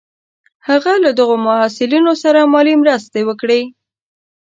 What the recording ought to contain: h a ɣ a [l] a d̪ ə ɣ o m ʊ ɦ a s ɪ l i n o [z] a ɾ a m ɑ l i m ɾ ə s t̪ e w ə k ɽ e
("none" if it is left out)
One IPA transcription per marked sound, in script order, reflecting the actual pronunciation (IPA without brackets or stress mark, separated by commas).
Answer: l, s